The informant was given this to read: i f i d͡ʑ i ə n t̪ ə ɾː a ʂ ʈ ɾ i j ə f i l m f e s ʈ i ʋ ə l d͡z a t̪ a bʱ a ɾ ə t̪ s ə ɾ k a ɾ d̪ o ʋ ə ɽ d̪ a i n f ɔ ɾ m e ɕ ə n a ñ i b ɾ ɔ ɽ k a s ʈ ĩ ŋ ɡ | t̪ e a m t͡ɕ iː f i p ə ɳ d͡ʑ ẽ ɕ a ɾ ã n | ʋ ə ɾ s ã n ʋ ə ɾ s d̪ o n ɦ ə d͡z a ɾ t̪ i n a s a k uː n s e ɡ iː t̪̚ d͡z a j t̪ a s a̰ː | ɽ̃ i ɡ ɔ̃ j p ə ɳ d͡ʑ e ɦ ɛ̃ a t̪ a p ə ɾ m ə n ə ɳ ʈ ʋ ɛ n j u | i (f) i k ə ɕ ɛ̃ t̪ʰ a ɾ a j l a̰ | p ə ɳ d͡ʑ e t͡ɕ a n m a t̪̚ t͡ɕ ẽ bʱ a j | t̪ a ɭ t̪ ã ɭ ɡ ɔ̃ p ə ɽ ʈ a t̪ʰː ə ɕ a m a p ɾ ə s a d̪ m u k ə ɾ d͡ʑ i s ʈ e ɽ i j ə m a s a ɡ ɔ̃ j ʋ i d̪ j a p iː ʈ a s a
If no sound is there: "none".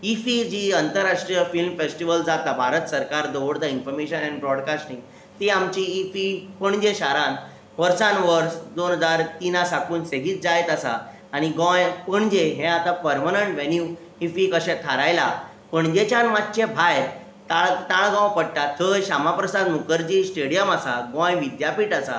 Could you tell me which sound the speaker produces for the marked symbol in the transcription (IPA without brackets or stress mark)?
f